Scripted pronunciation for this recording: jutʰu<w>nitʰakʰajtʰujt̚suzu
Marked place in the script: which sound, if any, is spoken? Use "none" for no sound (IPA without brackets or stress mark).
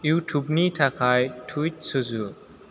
b